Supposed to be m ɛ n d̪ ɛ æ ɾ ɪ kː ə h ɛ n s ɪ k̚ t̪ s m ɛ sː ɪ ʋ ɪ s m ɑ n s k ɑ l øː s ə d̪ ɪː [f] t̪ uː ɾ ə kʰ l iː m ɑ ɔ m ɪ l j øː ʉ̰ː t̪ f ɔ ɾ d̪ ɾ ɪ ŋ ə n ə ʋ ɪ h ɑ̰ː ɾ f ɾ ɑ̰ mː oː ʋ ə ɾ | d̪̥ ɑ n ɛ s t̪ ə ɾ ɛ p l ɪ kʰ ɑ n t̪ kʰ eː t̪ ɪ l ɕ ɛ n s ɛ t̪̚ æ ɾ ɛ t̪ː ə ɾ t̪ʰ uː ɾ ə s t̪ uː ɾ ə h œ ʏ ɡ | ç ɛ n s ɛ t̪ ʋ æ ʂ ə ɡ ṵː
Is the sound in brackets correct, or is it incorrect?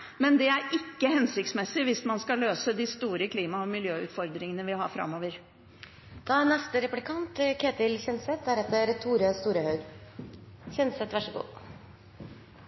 incorrect